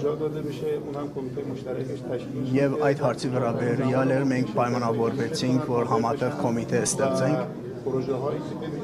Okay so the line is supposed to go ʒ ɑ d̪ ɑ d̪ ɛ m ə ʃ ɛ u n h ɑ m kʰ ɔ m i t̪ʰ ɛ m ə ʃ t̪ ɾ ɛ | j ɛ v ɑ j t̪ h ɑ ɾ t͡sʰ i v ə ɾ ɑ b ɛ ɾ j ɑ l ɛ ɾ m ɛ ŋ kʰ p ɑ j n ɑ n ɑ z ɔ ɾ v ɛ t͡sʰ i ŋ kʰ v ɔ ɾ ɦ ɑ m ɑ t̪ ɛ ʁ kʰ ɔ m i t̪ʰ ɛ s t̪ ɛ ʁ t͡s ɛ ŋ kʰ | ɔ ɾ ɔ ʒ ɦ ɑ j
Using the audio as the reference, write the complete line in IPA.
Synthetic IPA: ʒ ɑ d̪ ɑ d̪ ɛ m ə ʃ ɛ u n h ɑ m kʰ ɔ m i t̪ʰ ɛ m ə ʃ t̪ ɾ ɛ | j ɛ v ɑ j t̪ h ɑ ɾ t͡sʰ i v ə ɾ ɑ b ɛ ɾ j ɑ l ɛ ɾ m ɛ ŋ kʰ p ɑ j m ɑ n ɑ v ɔ ɾ v ɛ t͡sʰ i ŋ kʰ v ɔ ɾ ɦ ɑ m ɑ t̪ ɛ ʁ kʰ ɔ m i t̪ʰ ɛ s t̪ ɛ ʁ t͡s ɛ ŋ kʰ | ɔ ɾ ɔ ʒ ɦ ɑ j